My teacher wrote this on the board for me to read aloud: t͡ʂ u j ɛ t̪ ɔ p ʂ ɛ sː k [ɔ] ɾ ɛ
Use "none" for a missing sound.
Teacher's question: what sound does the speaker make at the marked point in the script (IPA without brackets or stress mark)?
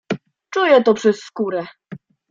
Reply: u